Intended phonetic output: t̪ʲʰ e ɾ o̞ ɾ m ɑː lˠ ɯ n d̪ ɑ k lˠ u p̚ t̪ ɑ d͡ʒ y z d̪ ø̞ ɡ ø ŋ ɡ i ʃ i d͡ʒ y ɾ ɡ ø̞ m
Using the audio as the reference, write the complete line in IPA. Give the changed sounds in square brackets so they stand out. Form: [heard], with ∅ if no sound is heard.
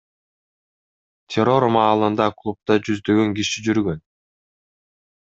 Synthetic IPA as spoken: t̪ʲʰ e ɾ o̞ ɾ m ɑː lˠ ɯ n d̪ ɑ k lˠ u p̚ t̪ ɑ d͡ʒ y z d̪ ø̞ ɡ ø ŋ ɡ i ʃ i d͡ʒ y ɾ ɡ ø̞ [n]